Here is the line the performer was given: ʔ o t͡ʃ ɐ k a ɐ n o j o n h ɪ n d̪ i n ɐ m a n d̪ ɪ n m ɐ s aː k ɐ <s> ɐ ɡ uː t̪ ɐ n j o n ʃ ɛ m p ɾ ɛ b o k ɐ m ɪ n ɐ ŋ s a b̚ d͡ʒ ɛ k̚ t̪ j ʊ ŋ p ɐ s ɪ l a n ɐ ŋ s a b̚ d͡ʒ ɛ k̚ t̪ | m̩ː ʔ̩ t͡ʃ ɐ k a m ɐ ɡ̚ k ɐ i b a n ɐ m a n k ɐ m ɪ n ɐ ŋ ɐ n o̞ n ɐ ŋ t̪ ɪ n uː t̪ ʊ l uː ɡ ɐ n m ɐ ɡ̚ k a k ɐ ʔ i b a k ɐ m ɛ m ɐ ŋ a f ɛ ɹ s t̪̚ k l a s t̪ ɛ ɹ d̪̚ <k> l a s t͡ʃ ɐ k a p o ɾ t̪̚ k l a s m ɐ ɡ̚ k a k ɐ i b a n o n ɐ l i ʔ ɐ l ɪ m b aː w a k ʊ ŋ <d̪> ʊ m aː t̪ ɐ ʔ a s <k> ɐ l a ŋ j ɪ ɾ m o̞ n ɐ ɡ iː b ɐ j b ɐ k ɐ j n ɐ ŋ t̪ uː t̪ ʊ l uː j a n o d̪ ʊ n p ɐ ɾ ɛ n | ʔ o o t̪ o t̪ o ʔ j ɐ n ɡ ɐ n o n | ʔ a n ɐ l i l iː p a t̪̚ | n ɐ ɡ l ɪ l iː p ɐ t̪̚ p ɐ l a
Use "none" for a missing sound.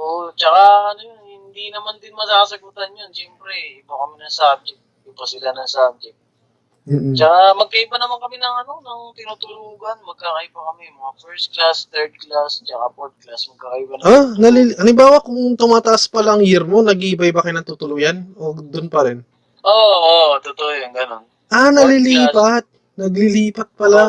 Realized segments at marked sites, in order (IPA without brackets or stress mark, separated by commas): s, k, t̪, p